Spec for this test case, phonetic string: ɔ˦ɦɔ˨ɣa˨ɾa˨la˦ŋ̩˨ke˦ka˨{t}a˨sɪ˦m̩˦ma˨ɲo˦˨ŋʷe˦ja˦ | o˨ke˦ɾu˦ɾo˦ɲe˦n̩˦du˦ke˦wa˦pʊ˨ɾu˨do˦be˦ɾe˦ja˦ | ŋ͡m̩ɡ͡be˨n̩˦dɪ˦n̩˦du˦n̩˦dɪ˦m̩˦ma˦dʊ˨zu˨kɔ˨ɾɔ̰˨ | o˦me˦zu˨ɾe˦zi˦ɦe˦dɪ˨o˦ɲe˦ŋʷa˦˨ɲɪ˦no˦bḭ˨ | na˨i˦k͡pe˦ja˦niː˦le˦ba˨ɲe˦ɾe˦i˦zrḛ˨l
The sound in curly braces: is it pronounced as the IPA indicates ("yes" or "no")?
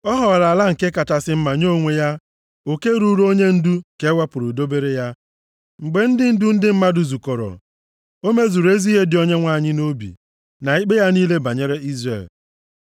yes